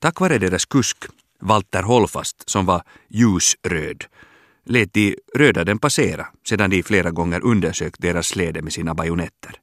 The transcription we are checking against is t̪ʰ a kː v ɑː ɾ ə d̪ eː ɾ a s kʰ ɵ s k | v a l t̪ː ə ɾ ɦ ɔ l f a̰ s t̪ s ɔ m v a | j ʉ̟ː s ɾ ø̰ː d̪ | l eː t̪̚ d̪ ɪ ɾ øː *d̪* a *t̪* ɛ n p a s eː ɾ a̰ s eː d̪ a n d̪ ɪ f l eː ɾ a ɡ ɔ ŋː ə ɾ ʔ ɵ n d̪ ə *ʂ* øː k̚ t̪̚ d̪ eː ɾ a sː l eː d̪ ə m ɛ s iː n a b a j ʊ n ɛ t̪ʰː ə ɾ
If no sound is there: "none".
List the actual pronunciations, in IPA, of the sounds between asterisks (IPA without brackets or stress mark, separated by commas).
d̪, d̪, ʂ